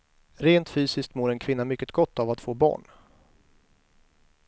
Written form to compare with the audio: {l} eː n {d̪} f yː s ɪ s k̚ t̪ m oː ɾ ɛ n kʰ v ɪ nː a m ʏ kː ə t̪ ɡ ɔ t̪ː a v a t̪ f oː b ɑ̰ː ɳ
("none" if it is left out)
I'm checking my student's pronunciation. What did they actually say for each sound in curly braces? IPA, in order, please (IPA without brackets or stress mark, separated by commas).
ɾ, t̪